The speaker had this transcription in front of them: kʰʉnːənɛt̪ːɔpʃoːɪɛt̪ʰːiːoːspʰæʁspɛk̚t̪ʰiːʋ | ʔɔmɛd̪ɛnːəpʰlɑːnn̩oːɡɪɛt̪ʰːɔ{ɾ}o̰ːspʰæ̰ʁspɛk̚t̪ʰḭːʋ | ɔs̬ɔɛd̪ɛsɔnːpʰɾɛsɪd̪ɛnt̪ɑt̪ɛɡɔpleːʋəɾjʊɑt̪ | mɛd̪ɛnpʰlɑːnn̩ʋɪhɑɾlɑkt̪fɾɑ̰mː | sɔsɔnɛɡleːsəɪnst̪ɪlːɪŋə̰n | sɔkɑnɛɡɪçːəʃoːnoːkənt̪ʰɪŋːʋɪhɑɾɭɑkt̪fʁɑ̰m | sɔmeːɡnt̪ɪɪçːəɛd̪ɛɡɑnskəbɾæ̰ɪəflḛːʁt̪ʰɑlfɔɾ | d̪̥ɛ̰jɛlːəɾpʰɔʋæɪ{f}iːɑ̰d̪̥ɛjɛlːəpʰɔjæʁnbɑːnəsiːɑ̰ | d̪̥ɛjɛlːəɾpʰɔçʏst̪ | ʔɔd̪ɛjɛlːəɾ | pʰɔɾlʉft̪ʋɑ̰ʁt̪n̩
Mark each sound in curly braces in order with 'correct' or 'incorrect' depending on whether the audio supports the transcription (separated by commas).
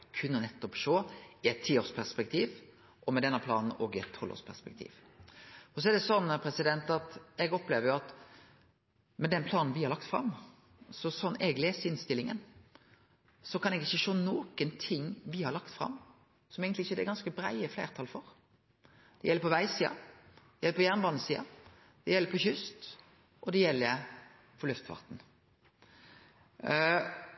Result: incorrect, incorrect